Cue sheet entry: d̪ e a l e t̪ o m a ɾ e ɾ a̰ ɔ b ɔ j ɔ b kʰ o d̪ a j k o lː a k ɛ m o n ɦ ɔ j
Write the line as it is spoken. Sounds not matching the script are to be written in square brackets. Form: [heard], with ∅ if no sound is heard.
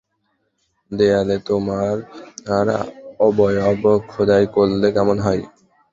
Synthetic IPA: d̪ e a l e t̪ o m a ɾ [a] ɾ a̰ ɔ b ɔ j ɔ b kʰ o d̪ a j k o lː [e] k ɛ m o n ɦ ɔ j

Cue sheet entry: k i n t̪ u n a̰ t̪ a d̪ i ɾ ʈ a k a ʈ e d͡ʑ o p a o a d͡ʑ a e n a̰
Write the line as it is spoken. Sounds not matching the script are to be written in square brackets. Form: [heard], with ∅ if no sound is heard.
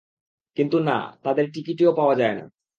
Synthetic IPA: k i n t̪ u n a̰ t̪ a d̪ [e] ɾ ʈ [i] k [i] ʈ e [∅] o p a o a d͡ʑ a e n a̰

